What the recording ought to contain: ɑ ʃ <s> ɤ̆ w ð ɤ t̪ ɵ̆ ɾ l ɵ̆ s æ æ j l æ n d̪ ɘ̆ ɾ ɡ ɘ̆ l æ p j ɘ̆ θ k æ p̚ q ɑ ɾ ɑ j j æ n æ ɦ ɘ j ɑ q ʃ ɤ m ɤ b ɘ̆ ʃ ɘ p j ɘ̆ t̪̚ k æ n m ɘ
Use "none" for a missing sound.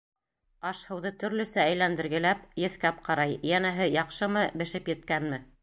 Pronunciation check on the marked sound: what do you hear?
h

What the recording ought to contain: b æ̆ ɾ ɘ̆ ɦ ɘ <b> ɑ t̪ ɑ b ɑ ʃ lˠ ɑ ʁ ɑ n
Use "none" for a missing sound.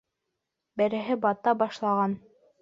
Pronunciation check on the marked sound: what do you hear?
b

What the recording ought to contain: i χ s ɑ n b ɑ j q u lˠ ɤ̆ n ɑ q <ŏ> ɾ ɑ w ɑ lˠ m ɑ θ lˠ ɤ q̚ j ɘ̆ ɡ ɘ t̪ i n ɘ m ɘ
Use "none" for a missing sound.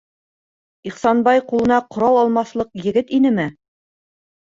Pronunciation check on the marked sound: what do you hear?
ŏ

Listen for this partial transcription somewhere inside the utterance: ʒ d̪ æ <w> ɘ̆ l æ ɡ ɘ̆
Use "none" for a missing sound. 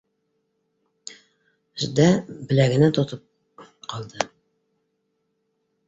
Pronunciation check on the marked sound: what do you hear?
b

